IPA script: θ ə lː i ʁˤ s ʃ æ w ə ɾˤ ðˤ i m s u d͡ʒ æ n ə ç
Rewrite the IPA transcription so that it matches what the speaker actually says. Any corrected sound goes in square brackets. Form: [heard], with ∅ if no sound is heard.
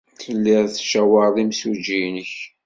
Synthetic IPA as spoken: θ ə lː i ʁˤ [θ] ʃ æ w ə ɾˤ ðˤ i m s u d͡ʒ [i] n ə ç